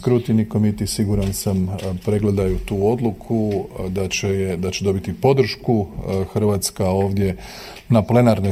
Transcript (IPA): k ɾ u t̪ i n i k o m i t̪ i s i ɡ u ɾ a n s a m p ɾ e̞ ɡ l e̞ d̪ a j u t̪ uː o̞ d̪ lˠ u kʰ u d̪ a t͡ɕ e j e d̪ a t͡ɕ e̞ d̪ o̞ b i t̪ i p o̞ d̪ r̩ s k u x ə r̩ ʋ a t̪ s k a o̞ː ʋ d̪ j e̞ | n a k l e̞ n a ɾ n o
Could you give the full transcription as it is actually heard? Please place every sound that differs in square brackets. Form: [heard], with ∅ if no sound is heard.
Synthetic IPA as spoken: k ɾ u t̪ i n i k o m i t̪ i s i ɡ u ɾ a n s a m p ɾ e̞ ɡ l e̞ d̪ a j u t̪ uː o̞ d̪ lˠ u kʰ u d̪ a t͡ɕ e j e d̪ a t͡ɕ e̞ d̪ o̞ b i t̪ i p o̞ d̪ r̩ [ʃ] k u x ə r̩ ʋ a t̪ s k a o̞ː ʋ d̪ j e̞ | n a [p] l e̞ n a ɾ n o